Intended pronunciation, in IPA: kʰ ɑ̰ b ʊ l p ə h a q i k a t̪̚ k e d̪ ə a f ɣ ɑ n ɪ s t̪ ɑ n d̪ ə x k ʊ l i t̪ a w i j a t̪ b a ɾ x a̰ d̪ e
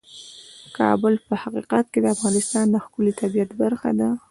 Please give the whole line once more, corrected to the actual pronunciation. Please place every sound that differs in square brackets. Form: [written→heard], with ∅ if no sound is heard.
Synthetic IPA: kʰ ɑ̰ b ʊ l p ə h a q i [k→q] a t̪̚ k e d̪ ə a f ɣ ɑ n ɪ s t̪ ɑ n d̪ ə x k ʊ l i t̪ a [w→b] i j a t̪ b a ɾ x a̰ d̪ [e→a]